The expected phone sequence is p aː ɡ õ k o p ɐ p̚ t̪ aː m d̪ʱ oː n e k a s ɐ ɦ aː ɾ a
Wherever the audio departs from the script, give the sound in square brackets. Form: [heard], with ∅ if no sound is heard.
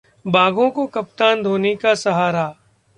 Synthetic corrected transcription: [b] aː ɡ õ k o [k] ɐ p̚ t̪ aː [n] d̪ʱ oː n e k a s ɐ ɦ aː ɾ a